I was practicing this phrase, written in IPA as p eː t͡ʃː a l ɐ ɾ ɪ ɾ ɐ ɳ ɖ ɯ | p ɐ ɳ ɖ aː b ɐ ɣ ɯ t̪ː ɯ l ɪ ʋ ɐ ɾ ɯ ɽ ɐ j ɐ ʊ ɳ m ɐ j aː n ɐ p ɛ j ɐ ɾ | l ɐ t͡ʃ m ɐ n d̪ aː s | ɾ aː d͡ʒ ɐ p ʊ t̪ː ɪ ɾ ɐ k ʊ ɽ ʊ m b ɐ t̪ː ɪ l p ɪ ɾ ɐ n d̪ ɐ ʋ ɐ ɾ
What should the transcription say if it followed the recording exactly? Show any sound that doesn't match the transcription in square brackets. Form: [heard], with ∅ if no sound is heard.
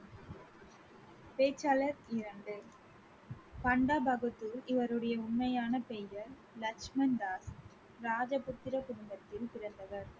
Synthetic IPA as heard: p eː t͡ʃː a l ɐ ɾ ɪ ɾ ɐ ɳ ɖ ɯ | p ɐ ɳ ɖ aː b ɐ ɣ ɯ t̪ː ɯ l ɪ ʋ ɐ ɾ ɯ ɽ ɐ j ɐ ʊ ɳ m ɐ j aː n ɐ p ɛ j ɐ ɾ | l ɐ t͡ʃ m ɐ n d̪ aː s | ɾ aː d͡ʒ ɐ p ʊ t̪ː ɪ ɾ ɐ k ʊ ɽ ʊ m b ɐ t̪ː ɪ l p ɪ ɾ ɐ n d̪ ɐ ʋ ɐ ɾ